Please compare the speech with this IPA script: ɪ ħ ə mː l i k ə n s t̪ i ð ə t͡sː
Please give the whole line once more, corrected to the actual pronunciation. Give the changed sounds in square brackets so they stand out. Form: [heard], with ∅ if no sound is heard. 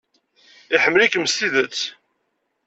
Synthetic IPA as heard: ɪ ħ ə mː l i k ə [m] s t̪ i ð ə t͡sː